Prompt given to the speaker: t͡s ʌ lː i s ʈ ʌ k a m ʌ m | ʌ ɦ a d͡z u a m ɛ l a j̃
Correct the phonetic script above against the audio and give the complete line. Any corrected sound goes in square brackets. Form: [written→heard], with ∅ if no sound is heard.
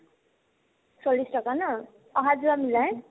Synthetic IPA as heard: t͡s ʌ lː i s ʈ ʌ k a [m→n] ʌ [m→∅] | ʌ ɦ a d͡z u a m [ɛ→i] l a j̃